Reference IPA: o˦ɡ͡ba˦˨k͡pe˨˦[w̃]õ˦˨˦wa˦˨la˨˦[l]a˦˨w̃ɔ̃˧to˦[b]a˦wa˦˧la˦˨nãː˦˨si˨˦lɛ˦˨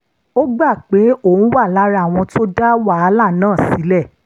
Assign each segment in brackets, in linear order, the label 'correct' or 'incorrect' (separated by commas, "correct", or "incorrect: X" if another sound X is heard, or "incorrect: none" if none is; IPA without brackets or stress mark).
incorrect: none, incorrect: ɾ, incorrect: d